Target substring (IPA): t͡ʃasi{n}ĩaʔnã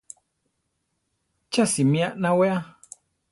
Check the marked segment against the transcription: incorrect: m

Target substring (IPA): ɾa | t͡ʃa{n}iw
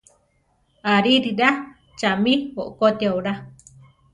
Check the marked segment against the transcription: incorrect: m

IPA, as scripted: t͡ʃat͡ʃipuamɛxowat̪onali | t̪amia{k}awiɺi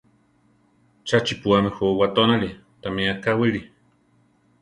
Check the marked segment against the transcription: correct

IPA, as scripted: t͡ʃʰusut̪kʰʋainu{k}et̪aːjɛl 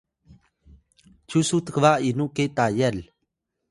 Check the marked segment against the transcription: correct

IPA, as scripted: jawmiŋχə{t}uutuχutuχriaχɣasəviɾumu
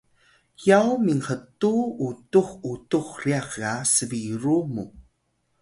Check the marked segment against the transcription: correct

